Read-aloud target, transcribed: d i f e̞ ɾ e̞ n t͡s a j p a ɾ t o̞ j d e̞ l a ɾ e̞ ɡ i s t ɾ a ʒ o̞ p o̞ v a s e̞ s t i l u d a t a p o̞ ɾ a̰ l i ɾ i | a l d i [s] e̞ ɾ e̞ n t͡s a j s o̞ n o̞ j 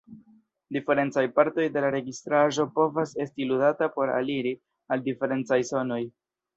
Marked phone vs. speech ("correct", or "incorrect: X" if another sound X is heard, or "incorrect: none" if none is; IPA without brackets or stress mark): incorrect: f